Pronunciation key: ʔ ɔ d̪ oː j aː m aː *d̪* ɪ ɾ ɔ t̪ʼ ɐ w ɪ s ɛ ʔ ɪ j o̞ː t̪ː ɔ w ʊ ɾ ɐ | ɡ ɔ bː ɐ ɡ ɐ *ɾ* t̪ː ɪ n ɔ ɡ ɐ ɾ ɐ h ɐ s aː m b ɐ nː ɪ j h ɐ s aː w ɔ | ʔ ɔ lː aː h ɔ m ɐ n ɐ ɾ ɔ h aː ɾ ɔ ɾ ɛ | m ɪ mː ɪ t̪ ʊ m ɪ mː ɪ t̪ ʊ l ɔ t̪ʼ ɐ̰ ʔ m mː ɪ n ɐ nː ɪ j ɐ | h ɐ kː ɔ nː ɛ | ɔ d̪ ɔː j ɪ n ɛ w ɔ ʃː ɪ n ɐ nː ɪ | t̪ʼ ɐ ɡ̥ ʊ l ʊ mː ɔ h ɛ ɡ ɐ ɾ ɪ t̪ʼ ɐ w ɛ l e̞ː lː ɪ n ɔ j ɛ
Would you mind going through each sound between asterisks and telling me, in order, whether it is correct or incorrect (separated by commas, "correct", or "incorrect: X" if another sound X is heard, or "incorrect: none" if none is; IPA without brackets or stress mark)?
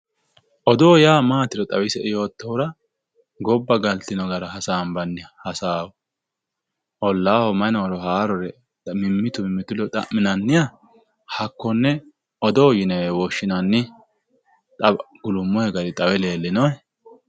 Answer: incorrect: t̪, incorrect: l